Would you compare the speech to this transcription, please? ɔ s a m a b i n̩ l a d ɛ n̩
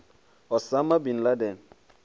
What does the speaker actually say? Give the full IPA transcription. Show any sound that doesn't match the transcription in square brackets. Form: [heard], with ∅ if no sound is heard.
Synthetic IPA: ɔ s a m a b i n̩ l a d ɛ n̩